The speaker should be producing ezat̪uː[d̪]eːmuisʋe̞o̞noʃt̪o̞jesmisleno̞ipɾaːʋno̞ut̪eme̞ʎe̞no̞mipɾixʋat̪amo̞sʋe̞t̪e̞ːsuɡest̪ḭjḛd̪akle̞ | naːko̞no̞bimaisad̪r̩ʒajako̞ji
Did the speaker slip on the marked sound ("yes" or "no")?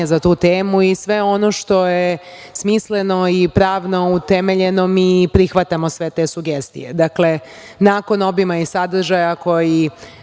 yes